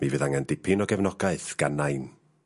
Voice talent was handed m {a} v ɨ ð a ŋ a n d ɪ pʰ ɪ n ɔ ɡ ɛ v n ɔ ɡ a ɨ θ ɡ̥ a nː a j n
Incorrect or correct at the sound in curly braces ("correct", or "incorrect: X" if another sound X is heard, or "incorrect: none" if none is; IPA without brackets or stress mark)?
incorrect: i